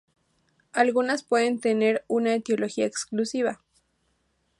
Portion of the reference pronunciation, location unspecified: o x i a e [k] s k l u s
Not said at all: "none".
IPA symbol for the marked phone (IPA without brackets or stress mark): k